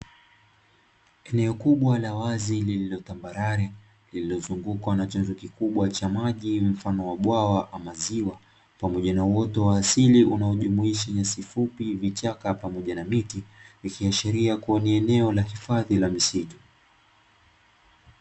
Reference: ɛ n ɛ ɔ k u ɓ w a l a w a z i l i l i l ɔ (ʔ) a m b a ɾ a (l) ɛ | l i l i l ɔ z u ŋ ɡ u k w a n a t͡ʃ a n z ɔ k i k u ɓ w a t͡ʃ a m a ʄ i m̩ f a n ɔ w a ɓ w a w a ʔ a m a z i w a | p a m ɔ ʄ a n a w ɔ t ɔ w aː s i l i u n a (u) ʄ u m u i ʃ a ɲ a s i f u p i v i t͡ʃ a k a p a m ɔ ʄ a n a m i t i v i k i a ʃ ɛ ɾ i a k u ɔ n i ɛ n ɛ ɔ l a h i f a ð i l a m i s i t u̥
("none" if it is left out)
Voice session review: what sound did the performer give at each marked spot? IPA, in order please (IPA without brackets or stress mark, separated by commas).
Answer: t, ɾ, ɔ